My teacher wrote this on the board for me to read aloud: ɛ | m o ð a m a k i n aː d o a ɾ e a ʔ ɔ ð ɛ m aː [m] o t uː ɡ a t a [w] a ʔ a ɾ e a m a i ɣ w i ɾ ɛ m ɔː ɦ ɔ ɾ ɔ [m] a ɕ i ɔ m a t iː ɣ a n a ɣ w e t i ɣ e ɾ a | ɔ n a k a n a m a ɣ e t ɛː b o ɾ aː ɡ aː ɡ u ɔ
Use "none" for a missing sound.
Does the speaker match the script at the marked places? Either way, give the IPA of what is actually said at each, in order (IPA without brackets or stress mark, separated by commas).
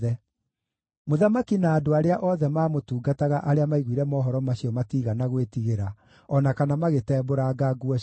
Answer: m, ɣ, m